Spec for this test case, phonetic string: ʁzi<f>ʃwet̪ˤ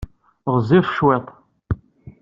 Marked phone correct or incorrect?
correct